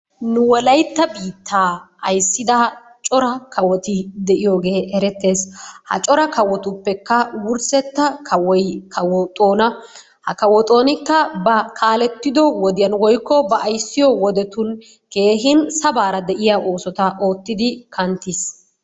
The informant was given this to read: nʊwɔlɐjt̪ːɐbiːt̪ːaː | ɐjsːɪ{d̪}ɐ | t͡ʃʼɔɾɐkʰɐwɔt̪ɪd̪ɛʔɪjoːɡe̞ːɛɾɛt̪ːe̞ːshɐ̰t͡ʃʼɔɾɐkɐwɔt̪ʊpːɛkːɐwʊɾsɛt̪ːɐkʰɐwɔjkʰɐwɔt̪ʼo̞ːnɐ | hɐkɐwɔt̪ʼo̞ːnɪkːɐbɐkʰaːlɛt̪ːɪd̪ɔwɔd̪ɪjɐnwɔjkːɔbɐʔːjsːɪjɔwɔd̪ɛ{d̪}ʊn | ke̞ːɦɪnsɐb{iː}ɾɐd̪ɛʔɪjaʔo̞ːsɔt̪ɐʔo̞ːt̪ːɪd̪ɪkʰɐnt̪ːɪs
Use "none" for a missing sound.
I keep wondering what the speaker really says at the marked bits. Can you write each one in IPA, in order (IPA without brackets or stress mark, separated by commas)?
d̪, t̪, aː